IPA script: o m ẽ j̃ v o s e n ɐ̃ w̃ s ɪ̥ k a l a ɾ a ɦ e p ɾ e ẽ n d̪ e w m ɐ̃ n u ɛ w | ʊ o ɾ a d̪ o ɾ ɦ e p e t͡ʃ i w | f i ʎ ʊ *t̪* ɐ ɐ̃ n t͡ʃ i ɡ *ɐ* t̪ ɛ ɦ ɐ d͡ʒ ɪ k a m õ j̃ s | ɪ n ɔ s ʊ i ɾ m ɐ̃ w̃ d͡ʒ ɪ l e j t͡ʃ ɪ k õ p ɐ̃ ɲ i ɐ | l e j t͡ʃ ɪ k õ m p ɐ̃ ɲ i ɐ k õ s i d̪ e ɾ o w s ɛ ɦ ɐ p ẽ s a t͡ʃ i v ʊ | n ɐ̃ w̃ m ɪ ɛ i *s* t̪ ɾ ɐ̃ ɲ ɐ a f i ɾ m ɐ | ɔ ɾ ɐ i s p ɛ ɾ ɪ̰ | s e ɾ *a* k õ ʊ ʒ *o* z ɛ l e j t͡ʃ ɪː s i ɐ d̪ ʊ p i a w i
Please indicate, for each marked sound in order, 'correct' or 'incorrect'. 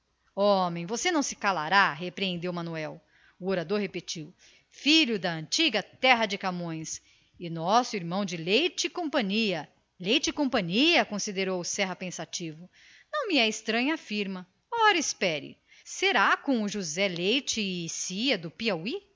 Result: incorrect: d̪, correct, correct, correct, incorrect: u

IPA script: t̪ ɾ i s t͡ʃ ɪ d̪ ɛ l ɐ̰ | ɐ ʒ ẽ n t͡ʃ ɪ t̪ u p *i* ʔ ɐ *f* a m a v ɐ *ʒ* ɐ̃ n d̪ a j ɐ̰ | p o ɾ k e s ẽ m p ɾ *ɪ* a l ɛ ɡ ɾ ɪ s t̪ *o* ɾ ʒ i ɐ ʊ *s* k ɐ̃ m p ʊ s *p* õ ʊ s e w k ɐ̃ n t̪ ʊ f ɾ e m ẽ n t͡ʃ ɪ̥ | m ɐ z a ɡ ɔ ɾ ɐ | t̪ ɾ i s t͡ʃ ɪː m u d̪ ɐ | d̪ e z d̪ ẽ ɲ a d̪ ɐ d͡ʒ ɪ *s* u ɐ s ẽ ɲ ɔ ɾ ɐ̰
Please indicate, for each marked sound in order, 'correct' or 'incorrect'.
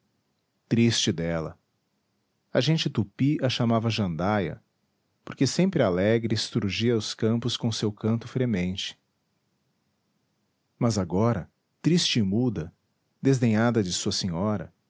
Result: correct, incorrect: ʃ, correct, correct, incorrect: u, correct, incorrect: k, correct

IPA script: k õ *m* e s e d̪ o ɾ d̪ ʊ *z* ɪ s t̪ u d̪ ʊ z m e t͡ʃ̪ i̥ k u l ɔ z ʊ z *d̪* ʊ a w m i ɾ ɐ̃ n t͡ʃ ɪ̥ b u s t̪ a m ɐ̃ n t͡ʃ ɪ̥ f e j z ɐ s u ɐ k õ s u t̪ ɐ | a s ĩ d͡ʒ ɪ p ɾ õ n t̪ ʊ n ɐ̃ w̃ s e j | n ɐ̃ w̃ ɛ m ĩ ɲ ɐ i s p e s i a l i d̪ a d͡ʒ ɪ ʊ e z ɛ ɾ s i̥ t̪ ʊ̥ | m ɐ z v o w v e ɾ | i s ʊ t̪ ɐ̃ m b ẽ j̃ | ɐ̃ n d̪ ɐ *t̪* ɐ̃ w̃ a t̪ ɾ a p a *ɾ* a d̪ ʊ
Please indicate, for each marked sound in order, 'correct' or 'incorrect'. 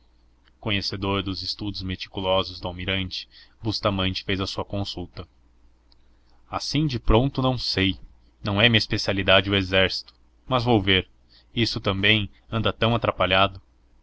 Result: incorrect: ɲ, correct, correct, correct, incorrect: ʎ

